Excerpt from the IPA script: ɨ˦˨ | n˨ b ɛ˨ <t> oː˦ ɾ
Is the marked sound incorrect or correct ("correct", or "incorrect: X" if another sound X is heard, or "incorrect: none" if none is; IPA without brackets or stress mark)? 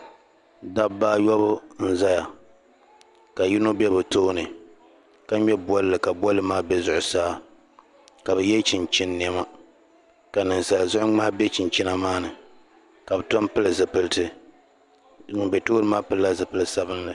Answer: correct